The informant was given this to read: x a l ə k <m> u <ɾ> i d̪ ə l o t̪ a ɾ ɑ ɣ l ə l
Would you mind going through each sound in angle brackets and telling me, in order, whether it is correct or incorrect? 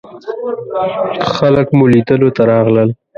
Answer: correct, incorrect

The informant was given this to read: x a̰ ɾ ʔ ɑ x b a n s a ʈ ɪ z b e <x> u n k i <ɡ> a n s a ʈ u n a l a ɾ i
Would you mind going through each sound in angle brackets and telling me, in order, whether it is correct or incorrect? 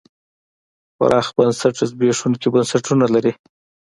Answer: incorrect, incorrect

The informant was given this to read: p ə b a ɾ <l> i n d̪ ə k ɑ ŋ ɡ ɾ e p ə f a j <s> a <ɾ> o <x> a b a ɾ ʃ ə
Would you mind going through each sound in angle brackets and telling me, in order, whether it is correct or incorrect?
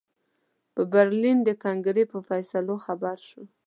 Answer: correct, correct, incorrect, correct

